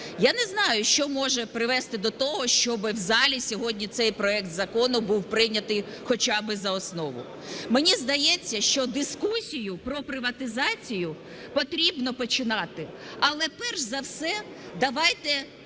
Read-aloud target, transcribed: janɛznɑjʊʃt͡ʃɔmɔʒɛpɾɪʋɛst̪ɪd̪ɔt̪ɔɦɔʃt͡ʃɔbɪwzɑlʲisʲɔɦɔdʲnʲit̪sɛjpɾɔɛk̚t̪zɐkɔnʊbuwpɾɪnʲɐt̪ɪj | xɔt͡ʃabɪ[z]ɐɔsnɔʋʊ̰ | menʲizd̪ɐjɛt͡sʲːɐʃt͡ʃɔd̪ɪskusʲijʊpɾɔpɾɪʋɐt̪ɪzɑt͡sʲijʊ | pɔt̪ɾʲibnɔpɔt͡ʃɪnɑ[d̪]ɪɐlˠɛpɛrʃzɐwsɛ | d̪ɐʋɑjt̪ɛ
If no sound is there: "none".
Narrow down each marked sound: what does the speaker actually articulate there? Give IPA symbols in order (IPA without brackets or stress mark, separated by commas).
z, t̪